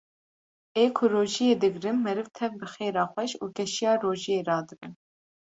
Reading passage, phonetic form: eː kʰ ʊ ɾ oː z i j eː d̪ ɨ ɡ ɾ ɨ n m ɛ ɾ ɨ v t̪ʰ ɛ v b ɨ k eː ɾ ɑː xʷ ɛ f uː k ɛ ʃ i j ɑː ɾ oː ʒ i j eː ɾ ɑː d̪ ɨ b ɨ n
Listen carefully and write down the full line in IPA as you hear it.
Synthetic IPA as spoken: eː kʰ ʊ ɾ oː ʒ i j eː d̪ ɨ ɡ ɾ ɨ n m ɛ ɾ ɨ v t̪ʰ ɛ v b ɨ x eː ɾ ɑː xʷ ɛ ʃ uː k ɛ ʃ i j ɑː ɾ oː ʒ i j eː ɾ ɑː d̪ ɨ b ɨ n